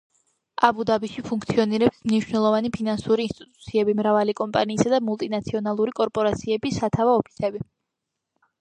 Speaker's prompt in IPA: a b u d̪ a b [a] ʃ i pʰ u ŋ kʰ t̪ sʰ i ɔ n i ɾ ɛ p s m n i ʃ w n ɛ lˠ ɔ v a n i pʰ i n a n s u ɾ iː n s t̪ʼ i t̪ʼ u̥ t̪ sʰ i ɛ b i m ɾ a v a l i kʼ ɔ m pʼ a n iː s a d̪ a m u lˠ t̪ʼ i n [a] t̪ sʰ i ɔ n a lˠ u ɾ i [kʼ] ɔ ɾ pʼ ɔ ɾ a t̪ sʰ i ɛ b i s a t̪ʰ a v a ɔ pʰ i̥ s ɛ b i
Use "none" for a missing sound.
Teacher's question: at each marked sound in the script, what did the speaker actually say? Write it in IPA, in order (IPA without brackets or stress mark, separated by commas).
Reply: i, a, kʼ